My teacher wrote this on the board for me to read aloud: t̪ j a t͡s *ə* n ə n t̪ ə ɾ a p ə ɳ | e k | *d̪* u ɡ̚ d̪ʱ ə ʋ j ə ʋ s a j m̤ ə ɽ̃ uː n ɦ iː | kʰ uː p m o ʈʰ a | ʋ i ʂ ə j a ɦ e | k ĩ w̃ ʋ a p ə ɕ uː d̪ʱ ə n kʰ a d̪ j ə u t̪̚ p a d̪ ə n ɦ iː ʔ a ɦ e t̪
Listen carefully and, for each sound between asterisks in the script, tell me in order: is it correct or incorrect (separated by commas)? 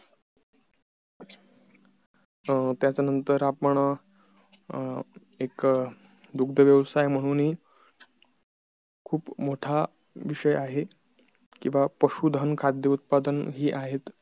incorrect, correct